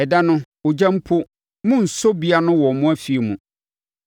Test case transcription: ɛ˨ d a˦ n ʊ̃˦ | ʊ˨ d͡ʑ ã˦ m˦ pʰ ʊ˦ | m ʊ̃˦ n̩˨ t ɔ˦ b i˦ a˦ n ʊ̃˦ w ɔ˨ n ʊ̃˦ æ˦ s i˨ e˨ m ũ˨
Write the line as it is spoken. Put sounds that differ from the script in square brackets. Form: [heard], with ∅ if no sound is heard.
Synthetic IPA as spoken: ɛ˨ d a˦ n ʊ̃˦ | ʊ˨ d͡ʑ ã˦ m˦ pʰ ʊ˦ | m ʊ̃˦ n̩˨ [s] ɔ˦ b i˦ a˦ n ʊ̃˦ w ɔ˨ [m] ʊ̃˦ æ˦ [f] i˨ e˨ m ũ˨